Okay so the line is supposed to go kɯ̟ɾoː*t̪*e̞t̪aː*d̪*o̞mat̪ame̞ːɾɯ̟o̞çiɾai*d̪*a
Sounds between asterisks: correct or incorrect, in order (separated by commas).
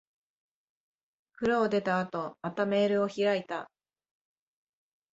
incorrect, incorrect, incorrect